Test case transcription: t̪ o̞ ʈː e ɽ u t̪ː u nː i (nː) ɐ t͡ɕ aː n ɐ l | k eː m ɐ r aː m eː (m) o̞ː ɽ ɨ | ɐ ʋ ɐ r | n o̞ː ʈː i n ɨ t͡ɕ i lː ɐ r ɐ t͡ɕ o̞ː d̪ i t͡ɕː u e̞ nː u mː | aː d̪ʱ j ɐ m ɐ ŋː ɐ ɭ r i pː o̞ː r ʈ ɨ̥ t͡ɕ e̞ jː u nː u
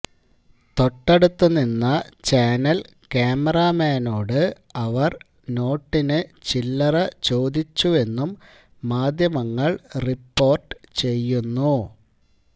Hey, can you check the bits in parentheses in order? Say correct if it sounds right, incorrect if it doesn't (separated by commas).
correct, incorrect